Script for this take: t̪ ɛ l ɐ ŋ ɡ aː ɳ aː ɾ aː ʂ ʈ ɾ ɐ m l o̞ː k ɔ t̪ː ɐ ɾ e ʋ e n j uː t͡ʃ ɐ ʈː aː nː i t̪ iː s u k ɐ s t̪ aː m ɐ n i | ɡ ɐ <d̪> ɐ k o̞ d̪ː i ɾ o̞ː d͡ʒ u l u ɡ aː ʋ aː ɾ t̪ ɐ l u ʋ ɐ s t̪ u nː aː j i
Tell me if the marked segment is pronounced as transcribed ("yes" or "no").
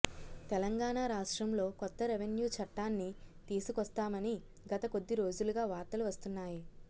no